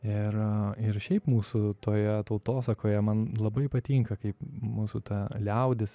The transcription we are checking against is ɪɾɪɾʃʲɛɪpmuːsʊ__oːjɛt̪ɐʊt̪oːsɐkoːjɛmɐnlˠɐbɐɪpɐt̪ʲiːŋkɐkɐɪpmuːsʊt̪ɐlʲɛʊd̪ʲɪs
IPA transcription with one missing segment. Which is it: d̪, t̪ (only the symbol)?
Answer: t̪